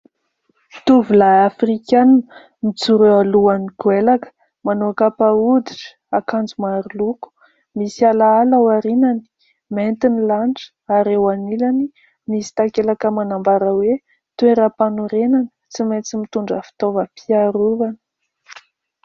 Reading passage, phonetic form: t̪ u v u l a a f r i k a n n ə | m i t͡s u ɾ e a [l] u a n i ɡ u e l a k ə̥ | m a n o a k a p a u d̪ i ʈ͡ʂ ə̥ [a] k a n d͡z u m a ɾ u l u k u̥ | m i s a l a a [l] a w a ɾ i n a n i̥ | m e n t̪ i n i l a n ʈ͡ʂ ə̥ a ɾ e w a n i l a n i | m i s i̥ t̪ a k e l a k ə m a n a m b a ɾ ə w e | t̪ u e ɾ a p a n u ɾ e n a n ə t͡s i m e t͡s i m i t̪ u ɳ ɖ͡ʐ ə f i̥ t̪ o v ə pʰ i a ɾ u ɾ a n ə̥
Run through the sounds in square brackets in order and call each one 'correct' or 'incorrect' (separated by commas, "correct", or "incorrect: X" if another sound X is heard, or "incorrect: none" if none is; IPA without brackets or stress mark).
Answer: correct, correct, correct